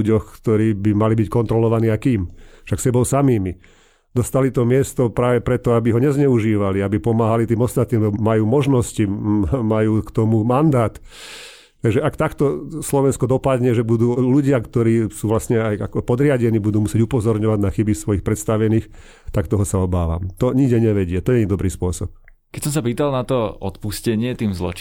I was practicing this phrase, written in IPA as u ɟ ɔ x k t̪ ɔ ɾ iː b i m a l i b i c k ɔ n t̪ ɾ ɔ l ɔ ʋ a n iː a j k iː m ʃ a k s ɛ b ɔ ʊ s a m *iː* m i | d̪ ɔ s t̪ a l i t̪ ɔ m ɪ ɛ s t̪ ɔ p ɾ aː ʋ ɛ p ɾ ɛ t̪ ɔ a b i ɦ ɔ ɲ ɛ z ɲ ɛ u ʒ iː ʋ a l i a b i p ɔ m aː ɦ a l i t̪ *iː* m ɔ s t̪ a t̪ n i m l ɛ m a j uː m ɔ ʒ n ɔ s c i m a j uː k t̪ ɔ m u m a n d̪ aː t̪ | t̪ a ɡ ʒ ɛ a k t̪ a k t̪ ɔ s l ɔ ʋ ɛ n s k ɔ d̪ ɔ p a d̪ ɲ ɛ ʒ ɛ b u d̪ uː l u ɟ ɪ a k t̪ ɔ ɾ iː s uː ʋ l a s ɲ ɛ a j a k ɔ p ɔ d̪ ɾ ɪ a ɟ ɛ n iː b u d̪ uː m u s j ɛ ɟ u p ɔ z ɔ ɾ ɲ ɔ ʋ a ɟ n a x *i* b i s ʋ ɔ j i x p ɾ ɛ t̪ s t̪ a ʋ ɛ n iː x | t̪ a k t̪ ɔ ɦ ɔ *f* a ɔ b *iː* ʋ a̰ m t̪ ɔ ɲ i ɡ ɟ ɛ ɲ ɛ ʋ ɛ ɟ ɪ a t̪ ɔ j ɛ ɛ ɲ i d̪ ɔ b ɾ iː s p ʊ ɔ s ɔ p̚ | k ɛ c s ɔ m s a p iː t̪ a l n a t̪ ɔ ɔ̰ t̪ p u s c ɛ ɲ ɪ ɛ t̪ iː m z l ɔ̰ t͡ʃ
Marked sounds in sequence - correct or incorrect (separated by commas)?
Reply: correct, correct, correct, incorrect, incorrect